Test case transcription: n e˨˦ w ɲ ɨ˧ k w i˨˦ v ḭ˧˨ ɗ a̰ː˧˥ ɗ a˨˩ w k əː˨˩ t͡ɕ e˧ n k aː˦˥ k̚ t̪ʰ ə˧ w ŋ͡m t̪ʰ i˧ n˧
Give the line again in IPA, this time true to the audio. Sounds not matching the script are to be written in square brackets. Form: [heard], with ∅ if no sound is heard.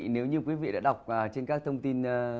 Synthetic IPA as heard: n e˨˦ w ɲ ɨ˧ k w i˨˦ v ḭ˧˨ ɗ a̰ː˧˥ ɗ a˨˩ w [k͡p̚] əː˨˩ t͡ɕ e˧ n k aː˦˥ k̚ t̪ʰ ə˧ w ŋ͡m [t̪] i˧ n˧